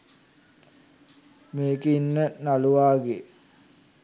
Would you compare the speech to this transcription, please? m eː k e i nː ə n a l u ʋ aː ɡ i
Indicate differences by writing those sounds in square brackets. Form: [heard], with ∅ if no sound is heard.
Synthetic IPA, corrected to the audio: m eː k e i nː ə n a l u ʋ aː ɡ [e]